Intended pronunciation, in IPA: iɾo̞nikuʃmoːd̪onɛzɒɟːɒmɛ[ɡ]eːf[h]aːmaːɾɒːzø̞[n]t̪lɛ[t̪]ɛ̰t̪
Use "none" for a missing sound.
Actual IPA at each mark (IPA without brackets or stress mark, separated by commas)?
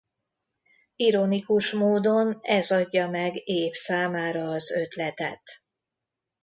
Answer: ɡ, s, none, t̪